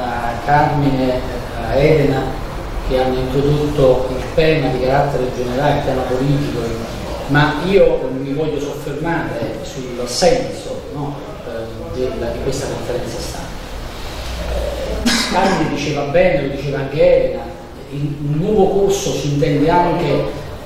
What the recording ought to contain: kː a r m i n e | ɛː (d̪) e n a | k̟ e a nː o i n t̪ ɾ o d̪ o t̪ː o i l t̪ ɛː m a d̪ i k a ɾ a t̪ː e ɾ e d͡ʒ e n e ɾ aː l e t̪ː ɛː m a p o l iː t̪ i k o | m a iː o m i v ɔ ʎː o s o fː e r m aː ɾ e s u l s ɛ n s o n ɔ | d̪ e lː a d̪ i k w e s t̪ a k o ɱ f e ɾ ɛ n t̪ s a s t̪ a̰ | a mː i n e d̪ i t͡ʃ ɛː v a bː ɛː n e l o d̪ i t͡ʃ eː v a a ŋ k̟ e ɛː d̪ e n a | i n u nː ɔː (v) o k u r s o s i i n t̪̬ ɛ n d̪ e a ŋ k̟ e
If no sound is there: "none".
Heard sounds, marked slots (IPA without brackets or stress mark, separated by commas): d̪, v